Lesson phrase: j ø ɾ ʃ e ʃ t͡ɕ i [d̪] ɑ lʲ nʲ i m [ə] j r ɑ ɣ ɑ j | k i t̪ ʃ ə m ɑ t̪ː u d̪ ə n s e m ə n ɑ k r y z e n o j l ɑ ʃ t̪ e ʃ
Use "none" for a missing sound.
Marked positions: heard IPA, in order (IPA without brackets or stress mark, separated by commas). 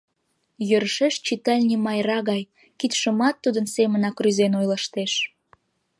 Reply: t̪, ɑ